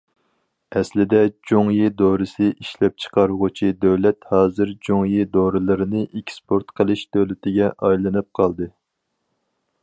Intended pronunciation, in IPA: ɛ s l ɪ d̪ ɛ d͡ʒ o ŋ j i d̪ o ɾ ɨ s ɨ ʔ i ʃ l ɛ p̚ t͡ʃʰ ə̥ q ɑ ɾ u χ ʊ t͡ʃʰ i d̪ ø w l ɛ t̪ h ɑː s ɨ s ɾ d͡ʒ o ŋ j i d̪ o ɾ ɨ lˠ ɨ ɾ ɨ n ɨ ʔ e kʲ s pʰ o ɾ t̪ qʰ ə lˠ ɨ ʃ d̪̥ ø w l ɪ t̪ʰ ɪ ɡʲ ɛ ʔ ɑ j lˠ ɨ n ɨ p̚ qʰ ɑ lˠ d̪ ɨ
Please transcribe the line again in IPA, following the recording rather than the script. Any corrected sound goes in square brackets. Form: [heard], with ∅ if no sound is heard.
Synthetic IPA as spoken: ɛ s l ɪ d̪ ɛ d͡ʒ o ŋ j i d̪ o ɾ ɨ s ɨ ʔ i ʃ l ɛ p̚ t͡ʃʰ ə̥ q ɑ ɾ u [ʁ] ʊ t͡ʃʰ i d̪ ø w l ɛ t̪ h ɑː [z] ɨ [∅] ɾ d͡ʒ o ŋ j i d̪ o ɾ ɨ lˠ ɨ ɾ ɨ n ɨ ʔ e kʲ s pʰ o ɾ t̪ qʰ ə lˠ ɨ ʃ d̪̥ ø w l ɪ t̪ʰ ɪ ɡʲ ɛ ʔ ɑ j lˠ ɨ n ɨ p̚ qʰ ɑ lˠ d̪ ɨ